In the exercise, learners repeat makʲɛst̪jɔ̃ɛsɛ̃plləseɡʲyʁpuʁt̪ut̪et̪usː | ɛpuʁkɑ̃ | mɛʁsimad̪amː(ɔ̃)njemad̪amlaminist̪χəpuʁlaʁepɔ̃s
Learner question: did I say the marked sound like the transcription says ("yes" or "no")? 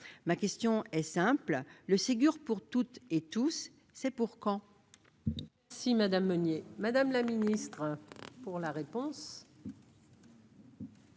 no